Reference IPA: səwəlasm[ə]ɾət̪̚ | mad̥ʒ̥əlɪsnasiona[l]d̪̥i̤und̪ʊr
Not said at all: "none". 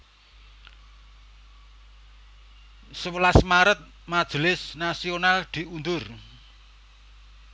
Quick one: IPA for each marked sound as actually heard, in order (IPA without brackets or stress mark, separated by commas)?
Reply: a, l